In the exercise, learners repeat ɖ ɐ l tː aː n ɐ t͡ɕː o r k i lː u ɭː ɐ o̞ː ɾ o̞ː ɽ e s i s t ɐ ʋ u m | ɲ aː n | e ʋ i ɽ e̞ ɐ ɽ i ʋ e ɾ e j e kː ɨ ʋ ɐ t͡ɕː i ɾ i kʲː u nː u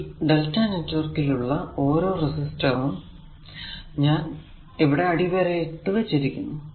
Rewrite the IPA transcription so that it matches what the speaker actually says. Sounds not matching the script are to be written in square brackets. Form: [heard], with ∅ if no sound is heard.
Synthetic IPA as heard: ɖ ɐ l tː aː n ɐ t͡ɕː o r k i [l] u ɭː ɐ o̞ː ɾ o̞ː [r] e s i s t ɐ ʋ u m | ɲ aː n | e ʋ i ɽ e̞ ɐ ɽ i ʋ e ɾ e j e [ʈː] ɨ ʋ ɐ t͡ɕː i ɾ i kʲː u nː u

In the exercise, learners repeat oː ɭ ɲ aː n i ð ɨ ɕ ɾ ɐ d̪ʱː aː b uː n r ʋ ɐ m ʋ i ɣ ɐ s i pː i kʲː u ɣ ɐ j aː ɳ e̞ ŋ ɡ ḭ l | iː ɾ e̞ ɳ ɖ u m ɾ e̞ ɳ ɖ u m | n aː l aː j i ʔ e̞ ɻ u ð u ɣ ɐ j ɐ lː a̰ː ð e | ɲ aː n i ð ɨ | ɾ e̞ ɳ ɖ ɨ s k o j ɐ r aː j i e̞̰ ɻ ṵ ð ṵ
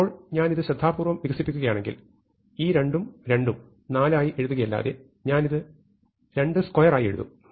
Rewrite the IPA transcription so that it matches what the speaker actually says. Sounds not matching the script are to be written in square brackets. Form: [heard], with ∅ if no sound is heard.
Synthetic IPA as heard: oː ɭ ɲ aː n i ð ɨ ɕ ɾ ɐ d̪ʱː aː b uː [∅] r ʋ ɐ m ʋ i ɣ ɐ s i pː i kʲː u ɣ ɐ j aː ɳ e̞ ŋ ɡ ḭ l | iː ɾ e̞ ɳ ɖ u m ɾ e̞ ɳ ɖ u m | n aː l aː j i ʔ e̞ ɻ u ð u ɣ ɐ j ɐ lː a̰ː ð e | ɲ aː n i ð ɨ | ɾ e̞ ɳ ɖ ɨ s k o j ɐ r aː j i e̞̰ ɻ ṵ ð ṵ

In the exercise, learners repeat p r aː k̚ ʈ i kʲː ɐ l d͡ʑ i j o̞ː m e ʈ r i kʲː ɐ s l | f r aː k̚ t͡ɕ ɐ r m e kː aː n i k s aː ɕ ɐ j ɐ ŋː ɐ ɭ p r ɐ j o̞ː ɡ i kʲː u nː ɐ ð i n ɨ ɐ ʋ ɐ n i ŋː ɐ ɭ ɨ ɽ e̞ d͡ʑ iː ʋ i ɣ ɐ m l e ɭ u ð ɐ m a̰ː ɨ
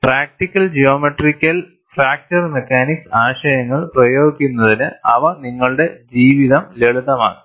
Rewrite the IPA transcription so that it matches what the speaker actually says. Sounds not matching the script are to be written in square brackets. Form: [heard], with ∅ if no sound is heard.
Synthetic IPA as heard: p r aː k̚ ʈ i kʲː ɐ l d͡ʑ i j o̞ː m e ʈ r i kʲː ɐ [∅] l | f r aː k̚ t͡ɕ ɐ r m e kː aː n i k s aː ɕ ɐ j ɐ ŋː ɐ ɭ p r ɐ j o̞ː ɡ i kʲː u nː ɐ ð i n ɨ ɐ ʋ ɐ n i ŋː ɐ ɭ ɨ ɽ e̞ d͡ʑ iː ʋ i [ð] ɐ m l e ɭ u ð ɐ m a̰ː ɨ

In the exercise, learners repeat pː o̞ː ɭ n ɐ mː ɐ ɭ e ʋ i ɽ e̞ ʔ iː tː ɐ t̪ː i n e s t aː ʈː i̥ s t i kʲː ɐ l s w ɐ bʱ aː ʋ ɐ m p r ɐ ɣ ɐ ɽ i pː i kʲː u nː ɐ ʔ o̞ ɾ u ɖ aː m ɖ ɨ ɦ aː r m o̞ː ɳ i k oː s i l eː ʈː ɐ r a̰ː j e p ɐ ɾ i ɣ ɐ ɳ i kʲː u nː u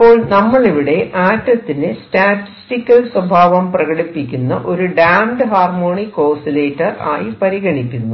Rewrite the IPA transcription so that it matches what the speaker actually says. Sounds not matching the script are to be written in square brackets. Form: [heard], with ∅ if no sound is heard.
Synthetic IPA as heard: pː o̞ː ɭ n ɐ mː ɐ ɭ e ʋ i ɽ e̞ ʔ [aː] tː ɐ t̪ː i n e s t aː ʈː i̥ s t i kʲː ɐ l s w ɐ bʱ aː ʋ ɐ m p r ɐ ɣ ɐ ɽ i pː i kʲː u nː ɐ ʔ o̞ ɾ u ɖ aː m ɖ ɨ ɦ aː r m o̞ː ɳ i k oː s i l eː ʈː ɐ r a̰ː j [i] p ɐ ɾ i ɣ ɐ ɳ i kʲː u nː u

